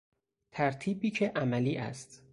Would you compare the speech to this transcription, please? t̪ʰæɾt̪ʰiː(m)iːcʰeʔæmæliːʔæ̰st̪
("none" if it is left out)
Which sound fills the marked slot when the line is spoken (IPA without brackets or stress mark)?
b